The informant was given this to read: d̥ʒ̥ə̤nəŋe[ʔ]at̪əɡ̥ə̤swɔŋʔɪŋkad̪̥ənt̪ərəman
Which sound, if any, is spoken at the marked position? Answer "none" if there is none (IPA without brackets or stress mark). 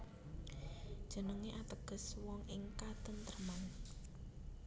ʔ